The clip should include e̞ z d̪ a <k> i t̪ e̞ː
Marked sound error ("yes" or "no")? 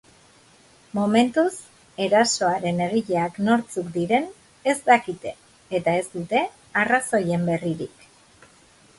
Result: no